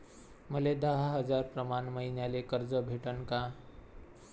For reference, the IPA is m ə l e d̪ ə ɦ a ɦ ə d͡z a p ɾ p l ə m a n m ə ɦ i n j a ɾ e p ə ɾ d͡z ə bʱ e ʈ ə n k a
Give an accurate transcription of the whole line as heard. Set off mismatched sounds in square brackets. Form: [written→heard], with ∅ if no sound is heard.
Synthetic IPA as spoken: m ə l e d̪ ə ɦ a ɦ ə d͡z a [p→∅] ɾ p [l→ɾ] ə m a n m ə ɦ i n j a [ɾ→l] e [p→k] ə ɾ d͡z ə bʱ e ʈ ə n k a